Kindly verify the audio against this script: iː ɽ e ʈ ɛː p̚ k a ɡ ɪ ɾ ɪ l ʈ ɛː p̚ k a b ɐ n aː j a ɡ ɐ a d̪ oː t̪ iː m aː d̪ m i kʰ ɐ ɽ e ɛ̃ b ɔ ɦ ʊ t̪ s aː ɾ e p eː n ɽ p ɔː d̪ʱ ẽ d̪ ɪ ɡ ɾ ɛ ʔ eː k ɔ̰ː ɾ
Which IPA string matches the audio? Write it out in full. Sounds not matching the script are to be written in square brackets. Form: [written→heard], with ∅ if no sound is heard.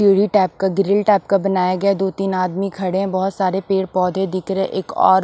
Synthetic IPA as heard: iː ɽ [e→i] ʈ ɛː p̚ k a ɡ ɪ ɾ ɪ l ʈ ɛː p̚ k a b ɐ n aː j a ɡ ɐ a d̪ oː t̪ iː [m→n] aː d̪ m i kʰ ɐ ɽ e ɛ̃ b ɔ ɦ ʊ t̪ s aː ɾ e p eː [n→∅] ɽ p ɔː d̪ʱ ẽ d̪ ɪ [ɡ→k] ɾ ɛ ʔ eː k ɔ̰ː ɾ